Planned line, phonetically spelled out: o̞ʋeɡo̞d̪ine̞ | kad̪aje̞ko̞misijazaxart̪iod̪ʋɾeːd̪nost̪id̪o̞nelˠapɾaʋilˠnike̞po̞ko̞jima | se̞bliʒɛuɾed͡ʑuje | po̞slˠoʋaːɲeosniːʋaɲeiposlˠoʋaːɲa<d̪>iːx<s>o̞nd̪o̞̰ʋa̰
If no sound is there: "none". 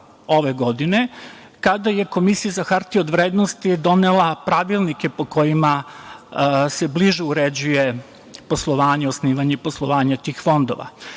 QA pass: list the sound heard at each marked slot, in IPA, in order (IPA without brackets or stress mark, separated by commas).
t̪, f